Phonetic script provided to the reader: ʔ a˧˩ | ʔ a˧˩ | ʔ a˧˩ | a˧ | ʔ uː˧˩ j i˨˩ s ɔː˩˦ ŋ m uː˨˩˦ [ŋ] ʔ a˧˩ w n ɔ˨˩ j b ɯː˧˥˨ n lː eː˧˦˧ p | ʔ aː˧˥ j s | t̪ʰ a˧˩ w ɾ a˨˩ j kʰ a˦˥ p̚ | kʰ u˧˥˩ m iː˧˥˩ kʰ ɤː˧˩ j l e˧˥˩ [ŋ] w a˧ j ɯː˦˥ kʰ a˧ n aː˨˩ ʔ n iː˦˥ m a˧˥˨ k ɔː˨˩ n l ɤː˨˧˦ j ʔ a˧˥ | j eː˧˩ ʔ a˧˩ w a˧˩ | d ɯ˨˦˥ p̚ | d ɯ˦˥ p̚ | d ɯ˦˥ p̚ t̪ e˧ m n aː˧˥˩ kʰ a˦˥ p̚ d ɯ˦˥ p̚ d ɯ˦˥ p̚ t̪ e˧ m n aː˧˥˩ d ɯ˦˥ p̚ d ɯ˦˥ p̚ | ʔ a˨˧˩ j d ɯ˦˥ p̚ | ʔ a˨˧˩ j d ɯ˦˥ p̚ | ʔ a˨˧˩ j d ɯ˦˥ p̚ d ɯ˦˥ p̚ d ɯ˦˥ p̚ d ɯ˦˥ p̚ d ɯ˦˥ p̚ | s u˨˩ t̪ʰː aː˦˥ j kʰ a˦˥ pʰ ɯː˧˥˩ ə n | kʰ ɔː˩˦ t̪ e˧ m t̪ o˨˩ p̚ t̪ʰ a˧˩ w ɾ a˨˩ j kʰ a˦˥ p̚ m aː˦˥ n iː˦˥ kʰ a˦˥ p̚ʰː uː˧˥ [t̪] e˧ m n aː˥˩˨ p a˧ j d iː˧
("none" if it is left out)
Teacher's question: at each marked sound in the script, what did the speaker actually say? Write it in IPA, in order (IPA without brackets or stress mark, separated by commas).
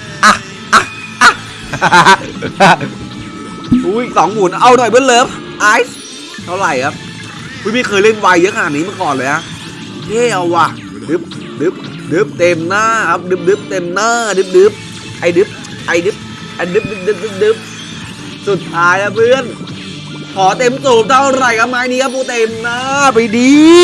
n, n, t̪